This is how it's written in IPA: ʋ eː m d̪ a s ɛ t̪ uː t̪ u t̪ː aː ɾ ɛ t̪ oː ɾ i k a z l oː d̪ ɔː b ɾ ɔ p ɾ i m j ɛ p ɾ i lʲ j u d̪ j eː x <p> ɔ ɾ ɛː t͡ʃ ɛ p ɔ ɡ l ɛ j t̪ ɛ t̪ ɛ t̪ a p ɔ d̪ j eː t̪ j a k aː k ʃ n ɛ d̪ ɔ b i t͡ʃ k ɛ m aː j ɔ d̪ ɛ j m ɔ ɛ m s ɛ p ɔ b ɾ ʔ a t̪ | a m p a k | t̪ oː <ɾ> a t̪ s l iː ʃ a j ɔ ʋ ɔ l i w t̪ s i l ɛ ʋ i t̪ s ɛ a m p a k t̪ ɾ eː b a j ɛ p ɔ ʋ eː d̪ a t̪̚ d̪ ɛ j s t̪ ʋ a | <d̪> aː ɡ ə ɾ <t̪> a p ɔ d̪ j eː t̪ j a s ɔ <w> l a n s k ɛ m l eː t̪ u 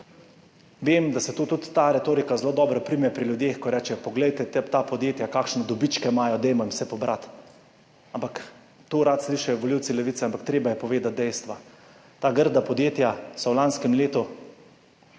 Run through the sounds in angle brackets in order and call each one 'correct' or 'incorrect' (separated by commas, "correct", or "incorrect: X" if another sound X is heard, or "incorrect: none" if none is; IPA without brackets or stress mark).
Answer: incorrect: k, correct, incorrect: t̪, incorrect: d̪, correct